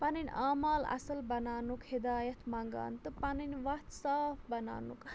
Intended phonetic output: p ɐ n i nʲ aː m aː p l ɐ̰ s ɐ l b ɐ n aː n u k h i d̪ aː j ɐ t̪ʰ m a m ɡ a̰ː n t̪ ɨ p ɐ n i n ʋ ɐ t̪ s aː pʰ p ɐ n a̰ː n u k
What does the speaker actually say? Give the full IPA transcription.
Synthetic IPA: p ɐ n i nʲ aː m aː l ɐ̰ s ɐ l b ɐ n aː n u k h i d̪ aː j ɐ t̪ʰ m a ŋ ɡ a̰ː n t̪ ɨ p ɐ n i n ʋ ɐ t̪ s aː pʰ b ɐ n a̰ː n u k